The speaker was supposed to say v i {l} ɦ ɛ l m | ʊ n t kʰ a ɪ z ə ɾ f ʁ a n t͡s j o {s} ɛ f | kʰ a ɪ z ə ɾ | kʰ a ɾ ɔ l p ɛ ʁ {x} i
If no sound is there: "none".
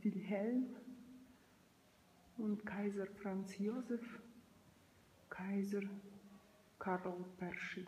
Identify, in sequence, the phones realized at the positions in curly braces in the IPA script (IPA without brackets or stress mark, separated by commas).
l, z, ʃ